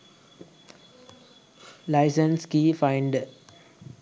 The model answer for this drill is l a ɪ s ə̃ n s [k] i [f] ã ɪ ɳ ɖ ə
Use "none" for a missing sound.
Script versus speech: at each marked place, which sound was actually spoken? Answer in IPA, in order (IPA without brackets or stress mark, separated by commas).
k, f